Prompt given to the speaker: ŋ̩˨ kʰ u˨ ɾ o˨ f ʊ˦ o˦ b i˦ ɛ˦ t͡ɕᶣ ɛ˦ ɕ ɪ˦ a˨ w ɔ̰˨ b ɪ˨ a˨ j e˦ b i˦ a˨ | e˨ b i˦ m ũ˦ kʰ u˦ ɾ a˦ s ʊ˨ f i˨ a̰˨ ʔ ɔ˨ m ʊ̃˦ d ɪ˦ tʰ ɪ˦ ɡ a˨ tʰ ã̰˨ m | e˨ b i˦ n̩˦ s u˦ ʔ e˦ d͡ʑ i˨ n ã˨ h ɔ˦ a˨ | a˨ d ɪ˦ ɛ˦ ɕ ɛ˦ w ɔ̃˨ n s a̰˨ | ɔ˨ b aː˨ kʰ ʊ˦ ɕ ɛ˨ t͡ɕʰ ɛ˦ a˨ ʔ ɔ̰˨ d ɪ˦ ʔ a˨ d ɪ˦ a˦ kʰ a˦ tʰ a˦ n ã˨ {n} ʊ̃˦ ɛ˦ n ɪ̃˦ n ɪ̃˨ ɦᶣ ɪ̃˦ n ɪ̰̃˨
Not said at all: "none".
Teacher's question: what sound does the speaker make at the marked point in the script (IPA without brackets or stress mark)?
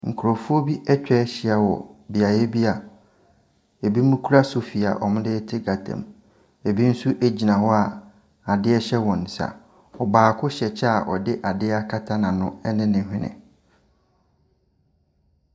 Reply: n